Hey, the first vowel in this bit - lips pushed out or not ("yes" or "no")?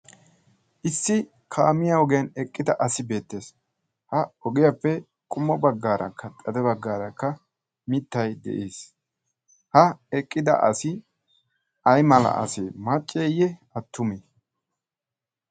no